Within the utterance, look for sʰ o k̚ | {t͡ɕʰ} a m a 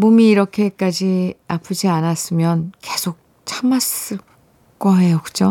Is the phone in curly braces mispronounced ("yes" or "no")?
no